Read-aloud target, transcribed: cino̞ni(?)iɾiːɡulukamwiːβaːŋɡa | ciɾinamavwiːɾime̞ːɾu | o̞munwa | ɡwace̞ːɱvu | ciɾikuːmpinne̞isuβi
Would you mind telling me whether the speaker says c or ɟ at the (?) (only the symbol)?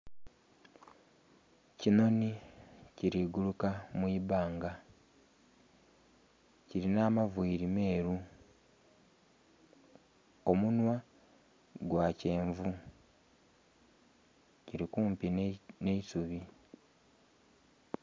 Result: c